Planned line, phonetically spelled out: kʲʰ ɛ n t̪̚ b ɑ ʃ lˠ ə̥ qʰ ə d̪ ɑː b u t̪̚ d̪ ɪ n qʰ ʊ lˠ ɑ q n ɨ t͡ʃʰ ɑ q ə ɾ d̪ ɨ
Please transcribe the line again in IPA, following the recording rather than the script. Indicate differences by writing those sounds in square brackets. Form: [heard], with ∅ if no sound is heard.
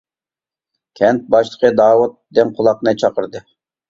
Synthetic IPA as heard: kʲʰ ɛ n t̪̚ b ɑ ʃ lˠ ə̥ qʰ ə d̪ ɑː [w] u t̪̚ d̪ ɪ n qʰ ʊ lˠ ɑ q n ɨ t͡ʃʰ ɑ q ə ɾ d̪ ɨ